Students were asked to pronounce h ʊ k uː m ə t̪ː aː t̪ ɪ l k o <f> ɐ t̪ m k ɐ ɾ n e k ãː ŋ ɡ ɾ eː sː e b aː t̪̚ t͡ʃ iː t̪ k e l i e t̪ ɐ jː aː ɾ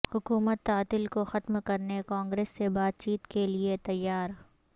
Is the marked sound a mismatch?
yes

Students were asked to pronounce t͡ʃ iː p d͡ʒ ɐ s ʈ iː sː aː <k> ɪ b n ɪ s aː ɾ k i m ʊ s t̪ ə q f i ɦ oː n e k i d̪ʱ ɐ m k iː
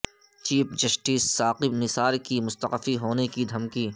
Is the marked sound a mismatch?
yes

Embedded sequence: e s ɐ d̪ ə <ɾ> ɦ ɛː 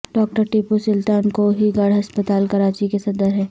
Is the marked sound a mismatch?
no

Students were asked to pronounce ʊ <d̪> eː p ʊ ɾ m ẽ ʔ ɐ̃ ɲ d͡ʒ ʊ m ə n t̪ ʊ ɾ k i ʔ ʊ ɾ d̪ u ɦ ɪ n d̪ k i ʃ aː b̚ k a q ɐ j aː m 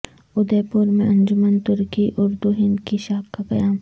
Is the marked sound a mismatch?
no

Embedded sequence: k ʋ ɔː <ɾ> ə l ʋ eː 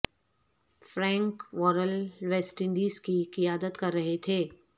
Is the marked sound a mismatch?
no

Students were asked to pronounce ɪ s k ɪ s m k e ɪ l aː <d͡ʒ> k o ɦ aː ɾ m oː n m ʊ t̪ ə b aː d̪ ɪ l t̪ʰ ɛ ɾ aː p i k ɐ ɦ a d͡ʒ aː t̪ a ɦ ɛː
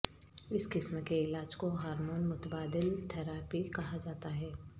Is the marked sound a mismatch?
no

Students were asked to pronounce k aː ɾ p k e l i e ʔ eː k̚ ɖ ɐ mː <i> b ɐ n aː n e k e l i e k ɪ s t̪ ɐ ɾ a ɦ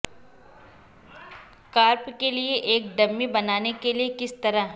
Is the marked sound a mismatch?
no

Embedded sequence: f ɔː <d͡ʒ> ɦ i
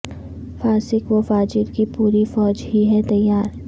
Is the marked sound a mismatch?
no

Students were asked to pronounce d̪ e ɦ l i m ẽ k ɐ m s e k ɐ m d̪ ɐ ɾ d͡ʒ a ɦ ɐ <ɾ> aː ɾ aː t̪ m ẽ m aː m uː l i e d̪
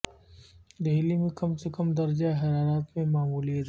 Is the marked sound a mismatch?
no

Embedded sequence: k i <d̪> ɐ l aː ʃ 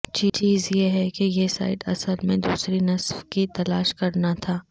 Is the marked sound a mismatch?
yes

